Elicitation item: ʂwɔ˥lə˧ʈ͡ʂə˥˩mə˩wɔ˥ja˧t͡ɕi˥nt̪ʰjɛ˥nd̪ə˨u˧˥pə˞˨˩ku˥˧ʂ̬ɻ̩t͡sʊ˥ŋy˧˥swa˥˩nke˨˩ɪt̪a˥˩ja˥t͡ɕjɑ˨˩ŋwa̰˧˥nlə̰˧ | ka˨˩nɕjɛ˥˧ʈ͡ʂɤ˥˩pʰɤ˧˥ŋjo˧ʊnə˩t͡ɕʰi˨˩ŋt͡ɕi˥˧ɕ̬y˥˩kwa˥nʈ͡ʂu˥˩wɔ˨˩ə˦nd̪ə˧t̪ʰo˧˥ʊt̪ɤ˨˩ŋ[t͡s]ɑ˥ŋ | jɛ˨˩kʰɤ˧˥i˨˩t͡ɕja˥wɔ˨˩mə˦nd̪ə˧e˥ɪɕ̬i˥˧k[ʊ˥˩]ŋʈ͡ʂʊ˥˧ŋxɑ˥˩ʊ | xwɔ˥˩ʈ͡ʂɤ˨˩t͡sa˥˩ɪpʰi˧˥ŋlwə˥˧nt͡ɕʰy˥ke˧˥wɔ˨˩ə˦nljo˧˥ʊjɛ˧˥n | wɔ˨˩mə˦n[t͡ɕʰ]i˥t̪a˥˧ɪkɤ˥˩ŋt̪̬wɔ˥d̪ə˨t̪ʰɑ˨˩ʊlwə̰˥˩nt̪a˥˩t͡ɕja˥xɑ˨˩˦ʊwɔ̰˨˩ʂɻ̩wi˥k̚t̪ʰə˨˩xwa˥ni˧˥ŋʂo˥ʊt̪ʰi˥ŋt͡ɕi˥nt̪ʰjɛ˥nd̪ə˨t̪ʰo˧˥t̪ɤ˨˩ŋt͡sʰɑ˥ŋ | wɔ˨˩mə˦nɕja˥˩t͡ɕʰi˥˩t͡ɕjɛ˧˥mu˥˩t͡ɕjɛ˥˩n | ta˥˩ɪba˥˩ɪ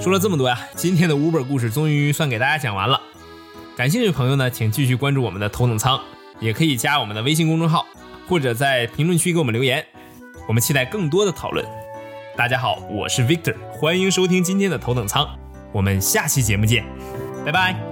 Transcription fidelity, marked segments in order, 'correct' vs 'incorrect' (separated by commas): incorrect, incorrect, correct